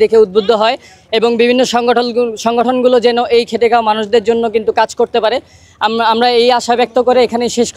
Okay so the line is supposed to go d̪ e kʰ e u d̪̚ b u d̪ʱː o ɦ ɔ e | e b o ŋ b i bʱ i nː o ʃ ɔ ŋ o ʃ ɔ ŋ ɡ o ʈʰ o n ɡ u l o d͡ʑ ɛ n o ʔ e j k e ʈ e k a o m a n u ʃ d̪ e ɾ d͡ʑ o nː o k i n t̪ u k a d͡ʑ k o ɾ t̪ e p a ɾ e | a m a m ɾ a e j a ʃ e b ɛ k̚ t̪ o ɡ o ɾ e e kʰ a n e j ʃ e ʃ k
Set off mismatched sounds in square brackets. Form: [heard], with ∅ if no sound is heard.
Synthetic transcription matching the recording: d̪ e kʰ e u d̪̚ b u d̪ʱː o ɦ ɔ e | e b o ŋ b i bʱ i nː o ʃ ɔ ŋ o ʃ ɔ ŋ ɡ o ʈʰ o n ɡ u l o d͡ʑ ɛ n o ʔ e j [kʰ] e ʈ e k a o m a n u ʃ d̪ e ɾ d͡ʑ o nː o k i n t̪ u k a d͡ʑ k o ɾ t̪ e p a ɾ e | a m a m ɾ a e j a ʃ [a] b ɛ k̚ t̪ o [k] o ɾ e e kʰ a n e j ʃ e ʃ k

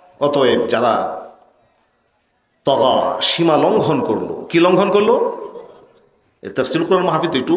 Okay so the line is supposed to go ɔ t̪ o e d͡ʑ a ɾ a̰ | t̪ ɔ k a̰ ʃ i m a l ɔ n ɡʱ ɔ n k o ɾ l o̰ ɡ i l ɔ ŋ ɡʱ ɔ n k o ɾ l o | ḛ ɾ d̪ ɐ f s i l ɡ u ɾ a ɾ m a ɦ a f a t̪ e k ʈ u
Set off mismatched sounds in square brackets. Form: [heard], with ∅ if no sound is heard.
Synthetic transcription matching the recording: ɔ t̪ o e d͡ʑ a ɾ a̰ | t̪ ɔ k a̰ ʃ i m a l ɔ [ŋ] ɡʱ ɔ n k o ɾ l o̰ [k] i l ɔ ŋ ɡʱ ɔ n k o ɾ l o | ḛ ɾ [t̪] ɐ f s i l [k] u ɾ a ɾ m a ɦ a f [i] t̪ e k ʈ u

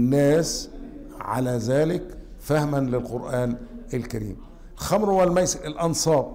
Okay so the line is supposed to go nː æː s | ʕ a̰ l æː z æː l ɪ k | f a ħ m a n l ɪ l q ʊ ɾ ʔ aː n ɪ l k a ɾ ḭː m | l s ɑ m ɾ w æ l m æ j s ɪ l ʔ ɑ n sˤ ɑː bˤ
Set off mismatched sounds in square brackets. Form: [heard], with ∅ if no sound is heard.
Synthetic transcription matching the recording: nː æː s | ʕ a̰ l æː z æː l ɪ k | f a [h] m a n l ɪ l q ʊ ɾ ʔ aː n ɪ l k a ɾ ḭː m | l [x] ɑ m ɾ w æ l m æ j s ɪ l ʔ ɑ n sˤ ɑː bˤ

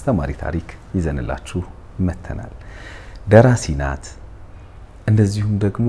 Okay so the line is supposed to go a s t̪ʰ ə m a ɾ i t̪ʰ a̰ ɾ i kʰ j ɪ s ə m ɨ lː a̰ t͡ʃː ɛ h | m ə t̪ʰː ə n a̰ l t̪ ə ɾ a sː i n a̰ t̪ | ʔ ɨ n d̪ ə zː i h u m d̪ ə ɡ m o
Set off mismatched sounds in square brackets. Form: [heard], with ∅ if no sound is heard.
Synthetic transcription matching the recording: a s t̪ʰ ə m a ɾ i t̪ʰ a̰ ɾ i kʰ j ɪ [z] ə [n] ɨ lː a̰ t͡ʃː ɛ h | m ə t̪ʰː ə n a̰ l [d̪] ə ɾ a [s] i n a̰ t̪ | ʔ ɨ n d̪ ə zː i h u m d̪ ə ɡ m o

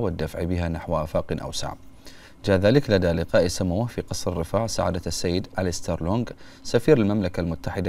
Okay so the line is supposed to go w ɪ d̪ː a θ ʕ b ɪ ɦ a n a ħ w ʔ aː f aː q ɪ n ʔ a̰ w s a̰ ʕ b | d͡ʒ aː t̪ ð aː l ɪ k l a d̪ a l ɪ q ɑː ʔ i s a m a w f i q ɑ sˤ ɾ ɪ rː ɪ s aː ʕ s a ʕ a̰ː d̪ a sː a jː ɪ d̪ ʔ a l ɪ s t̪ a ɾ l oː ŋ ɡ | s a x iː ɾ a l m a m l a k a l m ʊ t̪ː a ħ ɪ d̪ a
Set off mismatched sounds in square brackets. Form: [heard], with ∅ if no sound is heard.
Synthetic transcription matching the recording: w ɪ d̪ː a [f] ʕ b ɪ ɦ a n a ħ w ʔ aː f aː q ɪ n ʔ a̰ w s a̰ ʕ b | d͡ʒ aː [∅] ð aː l ɪ k l a d̪ a l ɪ q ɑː ʔ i s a m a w f i q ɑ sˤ ɾ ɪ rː ɪ [f] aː ʕ s a ʕ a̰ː d̪ a sː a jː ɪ d̪ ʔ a l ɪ s t̪ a ɾ l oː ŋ ɡ | s a [f] iː ɾ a l m a m l a k a l m ʊ t̪ː a ħ ɪ d̪ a

